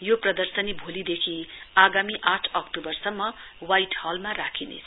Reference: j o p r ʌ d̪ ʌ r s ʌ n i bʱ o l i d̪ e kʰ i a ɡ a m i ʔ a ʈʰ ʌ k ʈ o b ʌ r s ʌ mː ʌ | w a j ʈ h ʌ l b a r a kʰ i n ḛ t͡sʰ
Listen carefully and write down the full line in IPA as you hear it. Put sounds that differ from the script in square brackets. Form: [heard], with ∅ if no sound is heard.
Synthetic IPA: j o p r ʌ d̪ ʌ r s ʌ n i bʱ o l i d̪ e kʰ i a ɡ a m i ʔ a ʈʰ ʌ k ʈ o b ʌ r s ʌ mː ʌ | w a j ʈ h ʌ l [m] a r a kʰ i n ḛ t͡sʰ